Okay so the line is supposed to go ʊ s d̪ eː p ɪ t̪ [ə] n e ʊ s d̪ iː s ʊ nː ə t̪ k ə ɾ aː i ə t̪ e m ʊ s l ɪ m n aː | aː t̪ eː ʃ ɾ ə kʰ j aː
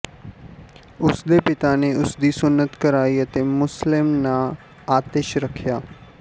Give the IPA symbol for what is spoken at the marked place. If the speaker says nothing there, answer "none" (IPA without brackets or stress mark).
a